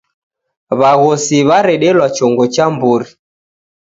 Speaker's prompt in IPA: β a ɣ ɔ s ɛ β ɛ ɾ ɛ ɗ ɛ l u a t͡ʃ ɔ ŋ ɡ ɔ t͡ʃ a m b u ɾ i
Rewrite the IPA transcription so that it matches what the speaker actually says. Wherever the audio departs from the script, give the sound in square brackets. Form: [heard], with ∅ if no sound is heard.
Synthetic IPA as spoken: β a ɣ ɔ s [i] β [a] ɾ ɛ ɗ ɛ l [w] a t͡ʃ ɔ ŋ ɡ ɔ t͡ʃ a m b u ɾ i